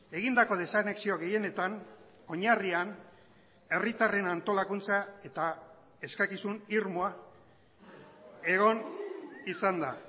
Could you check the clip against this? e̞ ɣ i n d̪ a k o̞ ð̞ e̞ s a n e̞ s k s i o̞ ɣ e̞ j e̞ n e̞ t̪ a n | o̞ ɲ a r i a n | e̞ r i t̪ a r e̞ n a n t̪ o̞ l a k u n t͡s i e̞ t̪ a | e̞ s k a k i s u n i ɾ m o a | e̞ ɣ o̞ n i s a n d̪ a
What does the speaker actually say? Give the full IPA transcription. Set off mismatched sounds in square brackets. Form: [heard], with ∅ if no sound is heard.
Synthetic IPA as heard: e̞ ɣ i n d̪ a k o̞ ð̞ e̞ s a n e̞ [∅] k s i o̞ ɣ e̞ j e̞ n e̞ t̪ a n | o̞ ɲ a r i a n | e̞ r i t̪ a r e̞ n a n t̪ o̞ l a k u n t͡s [a] e̞ t̪ a | e̞ s k a k i s u n i ɾ m o a | e̞ ɣ o̞ n i s a n d̪ a